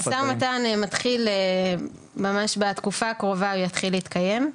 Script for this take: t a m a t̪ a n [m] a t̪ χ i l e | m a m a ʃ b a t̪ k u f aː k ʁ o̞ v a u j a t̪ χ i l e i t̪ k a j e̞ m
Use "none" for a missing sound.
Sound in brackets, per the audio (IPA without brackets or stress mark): m